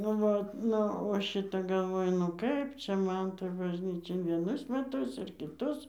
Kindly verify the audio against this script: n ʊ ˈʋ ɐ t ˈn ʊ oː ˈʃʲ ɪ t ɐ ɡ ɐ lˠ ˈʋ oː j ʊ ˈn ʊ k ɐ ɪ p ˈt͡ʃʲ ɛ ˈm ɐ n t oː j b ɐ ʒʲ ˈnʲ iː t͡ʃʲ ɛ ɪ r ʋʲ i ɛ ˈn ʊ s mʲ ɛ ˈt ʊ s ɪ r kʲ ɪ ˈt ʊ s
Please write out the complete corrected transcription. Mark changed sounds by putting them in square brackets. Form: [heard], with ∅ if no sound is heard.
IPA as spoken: n ʊ ˈʋ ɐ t ˈn ʊ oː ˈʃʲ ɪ t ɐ ɡ ɐ lˠ ˈʋ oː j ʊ ˈn ʊ k ɐ ɪ p ˈt͡ʃʲ ɛ ˈm ɐ n t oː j b ɐ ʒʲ ˈnʲ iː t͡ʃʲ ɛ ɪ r ʋʲ i ɛ ˈn ʊ s mʲ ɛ ˈt ʊ s ɪ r kʲ ɪ ˈt ʊ s